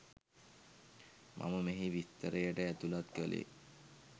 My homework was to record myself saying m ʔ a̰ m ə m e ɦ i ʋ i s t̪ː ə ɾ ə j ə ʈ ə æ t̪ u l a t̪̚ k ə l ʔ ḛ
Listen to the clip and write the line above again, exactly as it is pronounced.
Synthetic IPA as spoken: m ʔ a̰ m ə m e ɦ i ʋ i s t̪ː ə ɾ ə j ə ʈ ə æ t̪ u l a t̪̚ k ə l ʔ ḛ

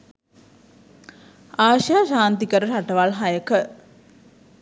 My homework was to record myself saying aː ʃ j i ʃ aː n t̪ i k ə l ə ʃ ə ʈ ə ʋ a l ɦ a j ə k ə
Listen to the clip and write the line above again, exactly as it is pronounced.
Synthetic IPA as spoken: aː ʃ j a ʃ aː n t̪ i k ə ɾ ə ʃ a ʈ ə ʋ a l ɦ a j ə k ə

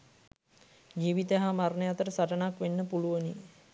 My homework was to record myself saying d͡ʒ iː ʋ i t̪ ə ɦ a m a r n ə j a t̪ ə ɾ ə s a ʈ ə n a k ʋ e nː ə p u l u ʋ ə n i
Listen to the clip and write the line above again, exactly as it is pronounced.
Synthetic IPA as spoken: d͡ʒ iː ʋ i t̪ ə ɦ a m a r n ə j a t̪ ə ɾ ə s a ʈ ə n a k ʋ e nː ə p u l u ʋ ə n i

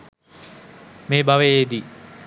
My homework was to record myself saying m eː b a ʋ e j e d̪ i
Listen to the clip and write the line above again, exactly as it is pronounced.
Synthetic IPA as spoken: m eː b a ʋ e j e d̪ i

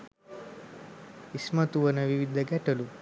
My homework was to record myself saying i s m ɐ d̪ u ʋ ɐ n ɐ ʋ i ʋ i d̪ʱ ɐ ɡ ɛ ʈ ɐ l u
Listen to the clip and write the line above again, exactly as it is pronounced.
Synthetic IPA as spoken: i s m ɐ t̪ u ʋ ɐ n ɐ ʋ i ʋ i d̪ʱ ɐ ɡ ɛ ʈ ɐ l u

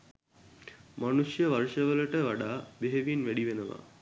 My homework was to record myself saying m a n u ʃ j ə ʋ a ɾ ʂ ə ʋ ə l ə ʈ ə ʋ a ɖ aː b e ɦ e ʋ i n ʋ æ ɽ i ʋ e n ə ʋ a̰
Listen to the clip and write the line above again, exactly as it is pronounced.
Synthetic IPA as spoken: m a n u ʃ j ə ʋ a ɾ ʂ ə ʋ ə l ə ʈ ə ʋ a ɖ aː b e ɦ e ʋ i n ʋ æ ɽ i ʋ e n ə ʋ a̰

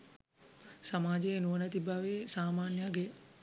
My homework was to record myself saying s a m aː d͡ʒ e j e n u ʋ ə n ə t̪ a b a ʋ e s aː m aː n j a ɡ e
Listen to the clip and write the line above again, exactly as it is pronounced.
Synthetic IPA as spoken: s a m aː d͡ʒ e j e n u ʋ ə n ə t̪ i b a ʋ e s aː m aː n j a ɡ e

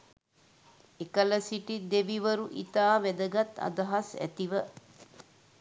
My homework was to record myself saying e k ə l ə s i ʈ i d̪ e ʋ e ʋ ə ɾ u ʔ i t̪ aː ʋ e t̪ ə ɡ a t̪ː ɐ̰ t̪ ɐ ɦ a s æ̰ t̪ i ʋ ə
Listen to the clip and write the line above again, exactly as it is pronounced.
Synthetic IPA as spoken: e k ə l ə s i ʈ i d̪ e ʋ i ʋ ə ɾ u ʔ i t̪ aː ʋ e d̪ ə ɡ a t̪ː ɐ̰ d̪ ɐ ɦ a s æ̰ t̪ i ʋ ə

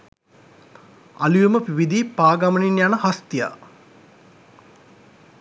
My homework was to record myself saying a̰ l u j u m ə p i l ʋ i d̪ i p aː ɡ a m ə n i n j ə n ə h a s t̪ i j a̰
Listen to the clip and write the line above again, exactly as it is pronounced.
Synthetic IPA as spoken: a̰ l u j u m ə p i ʋ i d̪ i p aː ɡ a m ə n i n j a n ə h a s t̪ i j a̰

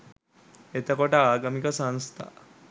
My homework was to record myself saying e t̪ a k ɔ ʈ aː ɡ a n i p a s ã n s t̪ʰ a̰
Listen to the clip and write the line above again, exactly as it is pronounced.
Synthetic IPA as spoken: e t̪ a k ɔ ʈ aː ɡ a m i k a s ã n s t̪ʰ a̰

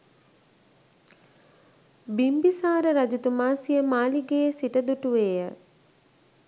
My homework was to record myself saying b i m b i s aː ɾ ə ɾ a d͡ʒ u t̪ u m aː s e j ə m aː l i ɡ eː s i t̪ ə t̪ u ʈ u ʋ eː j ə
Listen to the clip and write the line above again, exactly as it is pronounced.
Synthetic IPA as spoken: b i m b i s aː ɾ ə ɾ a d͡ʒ u t̪ u m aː s i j ə m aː l i ɡ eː s i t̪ ə d̪ u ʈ u ʋ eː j ə

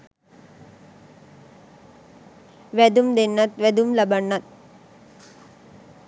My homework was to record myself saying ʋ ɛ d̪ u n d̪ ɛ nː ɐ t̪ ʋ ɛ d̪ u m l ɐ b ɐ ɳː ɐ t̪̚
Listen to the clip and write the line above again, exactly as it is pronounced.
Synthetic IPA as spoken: ʋ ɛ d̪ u m d̪ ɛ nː ɐ t̪ ʋ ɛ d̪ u m l ɐ b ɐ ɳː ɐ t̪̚

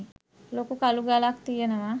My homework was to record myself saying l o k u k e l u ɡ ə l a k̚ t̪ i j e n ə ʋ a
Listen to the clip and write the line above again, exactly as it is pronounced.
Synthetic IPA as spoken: l o k u k a l u ɡ a l a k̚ t̪ i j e n ə ʋ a

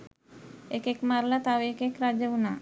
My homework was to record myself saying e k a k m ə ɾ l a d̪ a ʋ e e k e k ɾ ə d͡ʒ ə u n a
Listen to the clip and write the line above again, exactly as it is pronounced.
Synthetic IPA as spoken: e k e k m a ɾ l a t̪ a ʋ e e k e k ɾ a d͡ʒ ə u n a

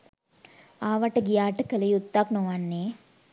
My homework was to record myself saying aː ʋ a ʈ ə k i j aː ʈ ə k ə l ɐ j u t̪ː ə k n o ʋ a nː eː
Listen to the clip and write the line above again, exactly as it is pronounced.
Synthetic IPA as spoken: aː ʋ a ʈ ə ɡ i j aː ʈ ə k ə l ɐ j u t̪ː a k n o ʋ a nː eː

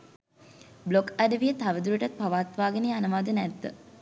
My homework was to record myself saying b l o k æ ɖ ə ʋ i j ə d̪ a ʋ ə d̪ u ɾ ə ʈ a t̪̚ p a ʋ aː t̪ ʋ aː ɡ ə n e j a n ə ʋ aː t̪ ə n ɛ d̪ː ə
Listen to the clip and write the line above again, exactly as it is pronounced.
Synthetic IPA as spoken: b l o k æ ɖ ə ʋ i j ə t̪ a ʋ ə d̪ u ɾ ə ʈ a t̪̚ p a ʋ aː t̪ ʋ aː ɡ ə n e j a n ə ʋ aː d̪ ə n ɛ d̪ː ə

